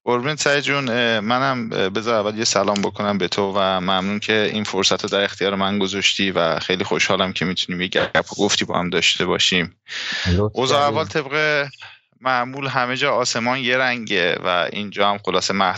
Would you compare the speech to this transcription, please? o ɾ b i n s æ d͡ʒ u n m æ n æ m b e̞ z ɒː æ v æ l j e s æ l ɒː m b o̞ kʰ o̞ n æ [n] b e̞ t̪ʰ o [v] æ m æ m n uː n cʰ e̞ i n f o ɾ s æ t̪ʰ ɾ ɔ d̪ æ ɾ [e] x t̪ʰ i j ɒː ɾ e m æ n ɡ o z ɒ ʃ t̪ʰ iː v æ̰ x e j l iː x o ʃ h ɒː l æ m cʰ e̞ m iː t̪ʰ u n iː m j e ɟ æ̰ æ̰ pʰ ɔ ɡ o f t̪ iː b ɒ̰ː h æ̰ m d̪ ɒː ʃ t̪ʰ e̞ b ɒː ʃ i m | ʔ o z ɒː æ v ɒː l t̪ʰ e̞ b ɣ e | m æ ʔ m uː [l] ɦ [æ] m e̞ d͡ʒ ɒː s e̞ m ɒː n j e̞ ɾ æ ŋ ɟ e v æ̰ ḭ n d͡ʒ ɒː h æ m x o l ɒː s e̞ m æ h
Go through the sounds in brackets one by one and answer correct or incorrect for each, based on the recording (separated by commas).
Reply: incorrect, correct, correct, correct, correct